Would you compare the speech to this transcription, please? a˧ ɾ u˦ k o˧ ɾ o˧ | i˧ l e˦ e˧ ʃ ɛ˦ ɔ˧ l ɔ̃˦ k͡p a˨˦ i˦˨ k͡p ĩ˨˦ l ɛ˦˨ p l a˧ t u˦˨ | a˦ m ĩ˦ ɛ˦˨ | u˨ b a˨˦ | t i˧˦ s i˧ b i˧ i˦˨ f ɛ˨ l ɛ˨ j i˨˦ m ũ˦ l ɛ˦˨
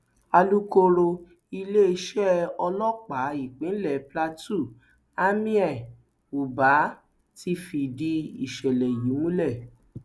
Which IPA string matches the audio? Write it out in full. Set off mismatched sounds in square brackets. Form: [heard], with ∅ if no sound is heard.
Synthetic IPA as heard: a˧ [l] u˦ k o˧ ɾ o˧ | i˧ l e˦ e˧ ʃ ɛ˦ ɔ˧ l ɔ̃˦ k͡p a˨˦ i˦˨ k͡p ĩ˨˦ l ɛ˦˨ p l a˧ t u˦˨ | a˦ m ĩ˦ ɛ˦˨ | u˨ b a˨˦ | t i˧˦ [f] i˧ [d] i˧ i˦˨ [ʃ] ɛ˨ l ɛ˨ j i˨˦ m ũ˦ l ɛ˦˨